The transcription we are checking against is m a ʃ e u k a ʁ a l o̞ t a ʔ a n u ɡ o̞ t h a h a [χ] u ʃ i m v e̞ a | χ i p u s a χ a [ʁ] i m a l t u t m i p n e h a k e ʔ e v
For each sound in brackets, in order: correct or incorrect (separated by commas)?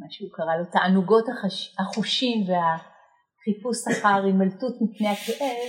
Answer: correct, correct